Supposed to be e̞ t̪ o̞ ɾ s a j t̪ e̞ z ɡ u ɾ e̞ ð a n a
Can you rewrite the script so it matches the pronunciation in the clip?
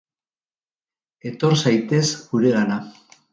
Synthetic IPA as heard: e̞ t̪ o̞ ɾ s a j t̪ e̞ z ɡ u ɾ e̞ ɣ a n a